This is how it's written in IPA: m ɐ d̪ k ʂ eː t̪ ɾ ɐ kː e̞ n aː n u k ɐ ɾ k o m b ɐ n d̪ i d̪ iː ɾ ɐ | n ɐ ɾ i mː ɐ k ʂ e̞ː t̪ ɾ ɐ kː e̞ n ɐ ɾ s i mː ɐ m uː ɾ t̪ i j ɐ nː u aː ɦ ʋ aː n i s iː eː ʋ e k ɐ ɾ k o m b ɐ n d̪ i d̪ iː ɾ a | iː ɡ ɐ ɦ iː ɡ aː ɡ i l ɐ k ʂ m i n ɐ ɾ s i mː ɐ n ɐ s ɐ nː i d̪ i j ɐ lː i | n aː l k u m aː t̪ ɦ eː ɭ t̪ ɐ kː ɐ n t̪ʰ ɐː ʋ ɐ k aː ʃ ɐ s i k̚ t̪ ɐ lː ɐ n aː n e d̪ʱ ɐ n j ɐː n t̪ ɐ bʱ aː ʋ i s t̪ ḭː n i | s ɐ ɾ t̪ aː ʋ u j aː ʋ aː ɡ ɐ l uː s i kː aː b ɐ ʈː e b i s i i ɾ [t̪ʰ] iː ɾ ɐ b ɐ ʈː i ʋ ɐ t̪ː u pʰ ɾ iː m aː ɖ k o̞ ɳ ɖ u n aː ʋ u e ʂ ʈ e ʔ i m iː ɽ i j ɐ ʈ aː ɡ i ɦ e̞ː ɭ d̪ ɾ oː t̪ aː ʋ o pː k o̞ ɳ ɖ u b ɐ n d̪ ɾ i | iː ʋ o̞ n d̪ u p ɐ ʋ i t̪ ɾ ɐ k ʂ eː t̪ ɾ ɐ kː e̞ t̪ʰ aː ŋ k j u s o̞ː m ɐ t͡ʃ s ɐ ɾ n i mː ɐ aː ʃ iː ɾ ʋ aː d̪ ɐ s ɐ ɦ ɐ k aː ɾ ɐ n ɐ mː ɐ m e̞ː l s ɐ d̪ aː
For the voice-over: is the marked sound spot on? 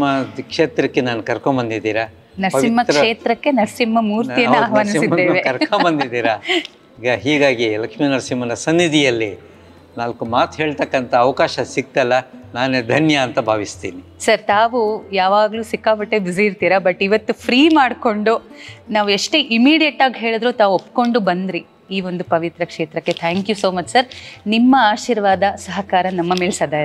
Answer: no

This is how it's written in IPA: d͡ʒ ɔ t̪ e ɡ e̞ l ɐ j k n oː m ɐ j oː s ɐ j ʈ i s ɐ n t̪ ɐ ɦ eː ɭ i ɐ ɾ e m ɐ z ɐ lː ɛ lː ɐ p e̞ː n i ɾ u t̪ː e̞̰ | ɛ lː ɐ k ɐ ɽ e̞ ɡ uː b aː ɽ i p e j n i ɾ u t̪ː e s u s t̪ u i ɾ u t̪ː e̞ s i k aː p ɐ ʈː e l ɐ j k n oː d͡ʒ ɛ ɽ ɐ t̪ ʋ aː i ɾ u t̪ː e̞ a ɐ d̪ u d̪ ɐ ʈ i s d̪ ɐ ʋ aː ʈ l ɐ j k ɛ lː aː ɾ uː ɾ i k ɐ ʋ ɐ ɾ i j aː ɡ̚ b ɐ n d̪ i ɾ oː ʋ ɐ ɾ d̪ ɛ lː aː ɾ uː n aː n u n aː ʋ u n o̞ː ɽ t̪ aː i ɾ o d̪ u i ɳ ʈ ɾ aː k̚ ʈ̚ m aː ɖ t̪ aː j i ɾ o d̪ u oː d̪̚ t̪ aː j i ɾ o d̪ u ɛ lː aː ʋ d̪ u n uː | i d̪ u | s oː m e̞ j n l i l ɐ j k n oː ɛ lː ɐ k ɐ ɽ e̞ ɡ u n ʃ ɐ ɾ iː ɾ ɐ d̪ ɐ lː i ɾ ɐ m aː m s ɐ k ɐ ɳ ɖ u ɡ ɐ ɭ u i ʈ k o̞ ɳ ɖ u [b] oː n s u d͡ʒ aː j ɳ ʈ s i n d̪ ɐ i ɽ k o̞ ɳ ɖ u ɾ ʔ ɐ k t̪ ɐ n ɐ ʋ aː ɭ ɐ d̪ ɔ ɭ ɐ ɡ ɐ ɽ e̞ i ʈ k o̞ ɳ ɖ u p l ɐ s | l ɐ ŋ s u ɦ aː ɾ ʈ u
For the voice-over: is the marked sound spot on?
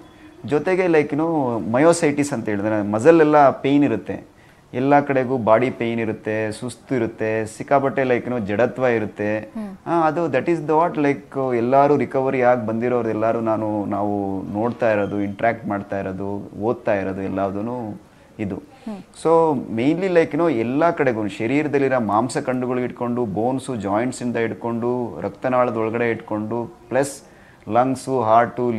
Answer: yes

